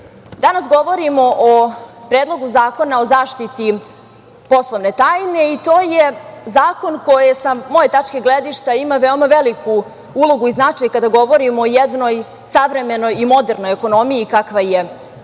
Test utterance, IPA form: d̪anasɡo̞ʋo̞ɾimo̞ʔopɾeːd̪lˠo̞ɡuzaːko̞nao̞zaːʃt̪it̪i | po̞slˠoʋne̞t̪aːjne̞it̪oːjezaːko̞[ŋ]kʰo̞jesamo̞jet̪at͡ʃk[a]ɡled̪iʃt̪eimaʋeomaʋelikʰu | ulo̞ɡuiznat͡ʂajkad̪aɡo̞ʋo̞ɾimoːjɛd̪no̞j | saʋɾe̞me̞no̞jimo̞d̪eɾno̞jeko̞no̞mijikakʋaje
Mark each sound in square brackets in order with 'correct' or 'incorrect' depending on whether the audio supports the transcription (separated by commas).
incorrect, incorrect